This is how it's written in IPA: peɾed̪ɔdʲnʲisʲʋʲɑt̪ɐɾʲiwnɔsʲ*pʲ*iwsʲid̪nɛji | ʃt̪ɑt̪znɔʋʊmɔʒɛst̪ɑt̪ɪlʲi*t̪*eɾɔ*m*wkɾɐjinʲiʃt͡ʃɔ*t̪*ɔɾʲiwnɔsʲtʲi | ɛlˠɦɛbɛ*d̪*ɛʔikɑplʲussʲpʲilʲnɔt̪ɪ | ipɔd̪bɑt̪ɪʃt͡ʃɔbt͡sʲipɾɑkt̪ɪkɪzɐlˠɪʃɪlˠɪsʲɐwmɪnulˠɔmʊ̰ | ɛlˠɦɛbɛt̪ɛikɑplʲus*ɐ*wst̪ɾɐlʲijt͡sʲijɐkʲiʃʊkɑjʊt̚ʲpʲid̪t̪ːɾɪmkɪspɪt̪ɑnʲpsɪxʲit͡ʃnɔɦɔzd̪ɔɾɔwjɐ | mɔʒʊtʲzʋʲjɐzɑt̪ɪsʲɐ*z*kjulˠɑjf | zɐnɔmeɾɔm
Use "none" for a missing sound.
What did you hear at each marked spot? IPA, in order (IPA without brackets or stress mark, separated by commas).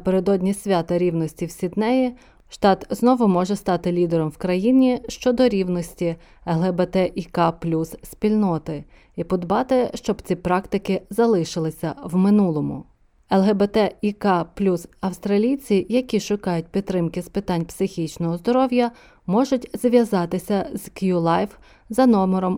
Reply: tʲ, d̪, m, d̪, t̪, ɐ, z